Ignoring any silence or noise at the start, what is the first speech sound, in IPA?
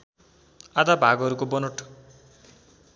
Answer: a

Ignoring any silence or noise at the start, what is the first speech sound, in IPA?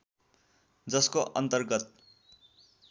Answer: d͡z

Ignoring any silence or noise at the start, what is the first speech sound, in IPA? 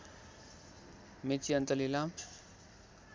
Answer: m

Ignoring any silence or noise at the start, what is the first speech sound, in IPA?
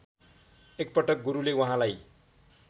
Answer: e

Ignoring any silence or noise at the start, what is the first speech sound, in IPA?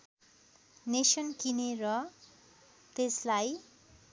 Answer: n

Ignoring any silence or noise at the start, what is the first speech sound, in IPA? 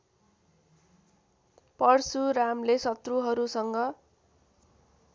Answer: p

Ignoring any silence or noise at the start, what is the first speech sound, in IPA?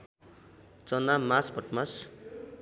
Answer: t͡s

